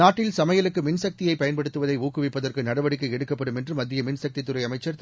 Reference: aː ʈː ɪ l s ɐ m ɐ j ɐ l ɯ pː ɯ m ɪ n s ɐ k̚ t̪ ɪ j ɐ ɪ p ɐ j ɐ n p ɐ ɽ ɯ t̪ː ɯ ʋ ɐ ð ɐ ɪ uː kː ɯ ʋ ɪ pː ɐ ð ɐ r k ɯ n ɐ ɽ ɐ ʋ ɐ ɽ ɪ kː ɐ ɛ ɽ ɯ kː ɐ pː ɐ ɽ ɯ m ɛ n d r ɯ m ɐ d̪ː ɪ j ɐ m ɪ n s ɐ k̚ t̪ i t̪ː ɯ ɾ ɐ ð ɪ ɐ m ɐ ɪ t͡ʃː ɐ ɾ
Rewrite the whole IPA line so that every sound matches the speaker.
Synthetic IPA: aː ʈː ɪ l s ɐ m ɐ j ɐ l ɯ kː ɯ m ɪ n s ɐ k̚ t̪ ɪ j ɐ ɪ p ɐ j ɐ n p ɐ ɽ ɯ t̪ː ɯ ʋ ɐ ð ɐ ɪ uː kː ɯ ʋ ɪ pː ɐ ð ɐ r k ɯ n ɐ ɽ ɐ ʋ ɐ ɽ ɪ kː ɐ ɛ ɽ ɯ kː ɐ pː ɐ ɽ ɯ m ɛ n d r ɯ m ɐ d̪ː ɪ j ɐ m ɪ n s ɐ k̚ t̪ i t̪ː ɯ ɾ ɐ ɪ ɐ m ɐ ɪ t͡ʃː ɐ ɾ